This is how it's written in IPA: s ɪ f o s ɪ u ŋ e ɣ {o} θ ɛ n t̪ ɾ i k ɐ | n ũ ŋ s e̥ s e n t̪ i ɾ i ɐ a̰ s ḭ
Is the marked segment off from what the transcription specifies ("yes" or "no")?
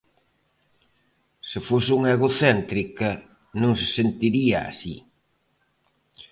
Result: no